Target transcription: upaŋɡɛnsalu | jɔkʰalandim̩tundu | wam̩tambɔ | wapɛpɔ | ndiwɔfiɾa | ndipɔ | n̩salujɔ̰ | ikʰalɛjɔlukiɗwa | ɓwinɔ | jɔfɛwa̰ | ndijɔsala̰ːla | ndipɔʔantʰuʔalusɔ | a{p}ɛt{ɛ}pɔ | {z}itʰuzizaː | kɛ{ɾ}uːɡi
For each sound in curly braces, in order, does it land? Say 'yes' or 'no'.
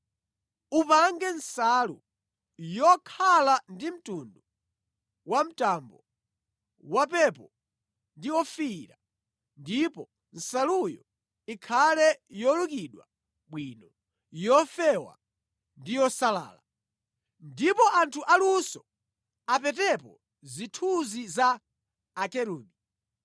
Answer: yes, yes, yes, yes

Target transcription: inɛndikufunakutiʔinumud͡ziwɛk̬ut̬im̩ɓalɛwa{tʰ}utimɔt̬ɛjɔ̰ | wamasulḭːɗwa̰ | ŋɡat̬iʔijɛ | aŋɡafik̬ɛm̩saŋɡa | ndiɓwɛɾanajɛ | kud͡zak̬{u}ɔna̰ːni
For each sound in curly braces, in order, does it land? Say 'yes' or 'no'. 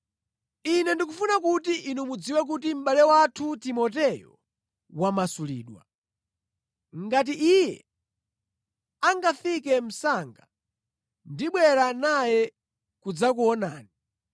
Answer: yes, yes

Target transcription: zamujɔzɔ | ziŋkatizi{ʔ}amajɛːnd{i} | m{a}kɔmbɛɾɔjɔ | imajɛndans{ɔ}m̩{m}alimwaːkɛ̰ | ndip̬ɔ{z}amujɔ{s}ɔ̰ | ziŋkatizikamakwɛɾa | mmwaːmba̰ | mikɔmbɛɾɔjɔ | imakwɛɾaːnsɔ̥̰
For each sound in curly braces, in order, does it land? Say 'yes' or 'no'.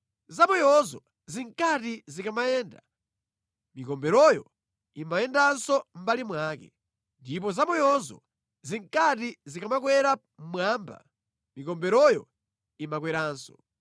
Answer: no, no, no, yes, no, yes, no

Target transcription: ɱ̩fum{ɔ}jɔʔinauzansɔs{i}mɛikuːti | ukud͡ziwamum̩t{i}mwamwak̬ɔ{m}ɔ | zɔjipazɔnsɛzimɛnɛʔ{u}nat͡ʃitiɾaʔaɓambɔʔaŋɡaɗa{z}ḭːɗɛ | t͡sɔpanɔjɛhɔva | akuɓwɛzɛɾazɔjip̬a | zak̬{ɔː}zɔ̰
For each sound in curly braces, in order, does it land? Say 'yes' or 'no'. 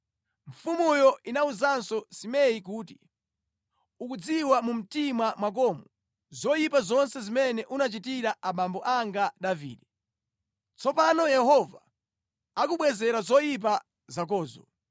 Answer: no, yes, yes, yes, yes, no, yes

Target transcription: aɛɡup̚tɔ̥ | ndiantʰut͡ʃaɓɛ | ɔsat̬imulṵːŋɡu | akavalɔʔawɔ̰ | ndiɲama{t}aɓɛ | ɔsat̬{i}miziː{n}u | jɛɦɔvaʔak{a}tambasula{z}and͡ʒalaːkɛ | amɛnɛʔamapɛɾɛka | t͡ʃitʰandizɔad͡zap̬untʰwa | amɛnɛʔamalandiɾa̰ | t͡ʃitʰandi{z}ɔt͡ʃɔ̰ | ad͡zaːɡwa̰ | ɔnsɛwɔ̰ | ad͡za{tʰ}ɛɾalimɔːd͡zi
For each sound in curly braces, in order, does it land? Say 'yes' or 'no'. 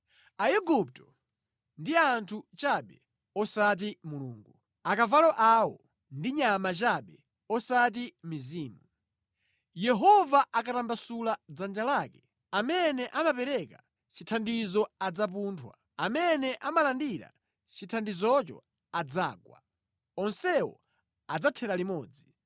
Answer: no, yes, no, yes, no, yes, yes

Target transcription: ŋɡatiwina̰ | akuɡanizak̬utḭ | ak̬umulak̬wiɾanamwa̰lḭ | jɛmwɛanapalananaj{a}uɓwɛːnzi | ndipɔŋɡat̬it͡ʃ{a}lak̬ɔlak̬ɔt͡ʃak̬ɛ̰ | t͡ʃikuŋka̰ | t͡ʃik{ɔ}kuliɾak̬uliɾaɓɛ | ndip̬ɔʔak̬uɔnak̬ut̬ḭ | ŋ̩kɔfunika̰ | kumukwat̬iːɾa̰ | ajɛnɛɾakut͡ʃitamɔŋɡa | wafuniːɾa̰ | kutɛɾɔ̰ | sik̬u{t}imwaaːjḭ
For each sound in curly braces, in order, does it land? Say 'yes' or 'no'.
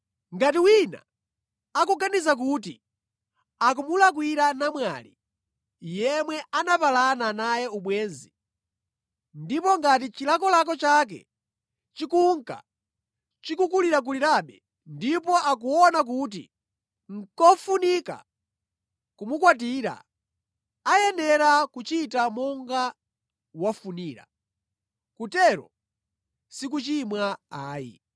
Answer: no, no, no, no

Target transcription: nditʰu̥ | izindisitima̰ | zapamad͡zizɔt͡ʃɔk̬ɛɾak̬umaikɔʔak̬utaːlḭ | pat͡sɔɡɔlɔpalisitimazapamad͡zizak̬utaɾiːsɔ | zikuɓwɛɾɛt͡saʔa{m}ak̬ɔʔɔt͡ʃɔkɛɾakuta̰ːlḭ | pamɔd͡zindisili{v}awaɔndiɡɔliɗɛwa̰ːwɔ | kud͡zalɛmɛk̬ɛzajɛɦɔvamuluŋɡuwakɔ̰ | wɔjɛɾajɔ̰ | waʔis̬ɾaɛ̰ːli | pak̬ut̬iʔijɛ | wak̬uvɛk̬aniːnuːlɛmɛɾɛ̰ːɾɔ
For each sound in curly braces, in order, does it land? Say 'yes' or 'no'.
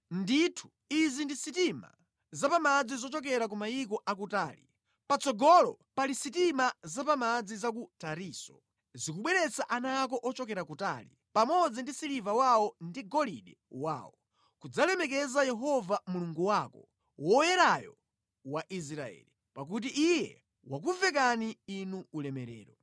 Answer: no, yes

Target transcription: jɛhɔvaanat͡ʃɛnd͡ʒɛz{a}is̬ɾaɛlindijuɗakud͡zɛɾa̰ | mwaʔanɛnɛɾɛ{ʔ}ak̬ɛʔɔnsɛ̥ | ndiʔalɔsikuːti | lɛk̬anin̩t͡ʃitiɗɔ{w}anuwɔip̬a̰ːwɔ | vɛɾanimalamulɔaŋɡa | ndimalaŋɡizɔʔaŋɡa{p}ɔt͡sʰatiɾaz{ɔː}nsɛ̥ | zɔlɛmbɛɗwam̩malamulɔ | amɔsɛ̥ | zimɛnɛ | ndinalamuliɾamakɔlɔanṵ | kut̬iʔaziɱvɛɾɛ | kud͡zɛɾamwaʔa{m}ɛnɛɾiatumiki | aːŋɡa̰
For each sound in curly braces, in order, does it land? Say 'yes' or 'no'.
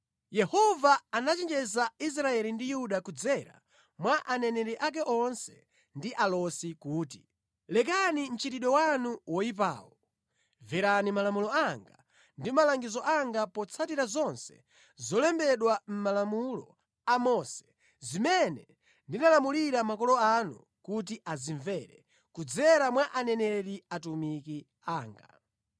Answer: yes, yes, yes, yes, no, no

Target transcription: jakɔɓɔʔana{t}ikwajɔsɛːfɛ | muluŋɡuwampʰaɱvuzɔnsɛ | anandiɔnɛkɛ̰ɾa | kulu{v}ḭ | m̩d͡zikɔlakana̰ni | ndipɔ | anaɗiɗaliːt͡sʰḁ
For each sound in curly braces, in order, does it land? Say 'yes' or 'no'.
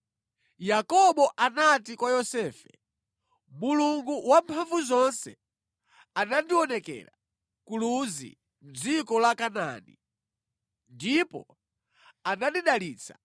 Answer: yes, no

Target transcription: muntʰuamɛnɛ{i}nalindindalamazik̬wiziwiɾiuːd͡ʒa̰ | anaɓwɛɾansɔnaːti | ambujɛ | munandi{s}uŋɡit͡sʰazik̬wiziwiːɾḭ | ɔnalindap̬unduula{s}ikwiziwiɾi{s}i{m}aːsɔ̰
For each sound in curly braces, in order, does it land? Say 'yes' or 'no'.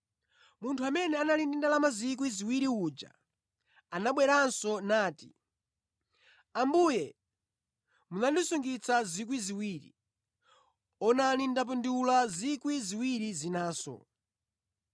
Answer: no, yes, no, no, no

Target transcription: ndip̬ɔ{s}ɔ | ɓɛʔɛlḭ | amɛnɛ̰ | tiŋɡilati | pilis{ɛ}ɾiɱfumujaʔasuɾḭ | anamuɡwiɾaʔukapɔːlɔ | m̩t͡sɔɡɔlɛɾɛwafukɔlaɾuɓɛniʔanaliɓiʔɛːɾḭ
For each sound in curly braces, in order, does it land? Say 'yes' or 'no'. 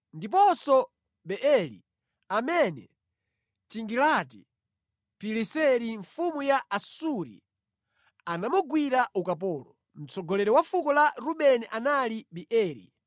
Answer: yes, yes

